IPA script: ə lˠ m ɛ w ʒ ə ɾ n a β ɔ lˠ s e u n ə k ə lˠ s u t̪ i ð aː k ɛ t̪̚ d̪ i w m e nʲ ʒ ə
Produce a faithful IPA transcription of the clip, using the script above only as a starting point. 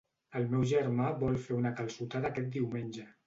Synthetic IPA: ə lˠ m ɛ w ʒ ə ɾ m a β ɔ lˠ f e u n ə k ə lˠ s u t̪ a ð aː k ɛ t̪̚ d̪ i w m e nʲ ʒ ə